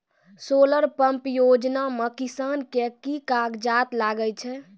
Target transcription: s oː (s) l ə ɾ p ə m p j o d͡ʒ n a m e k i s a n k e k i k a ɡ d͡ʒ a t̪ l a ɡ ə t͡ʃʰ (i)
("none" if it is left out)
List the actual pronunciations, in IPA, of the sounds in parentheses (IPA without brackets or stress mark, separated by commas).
none, ɛ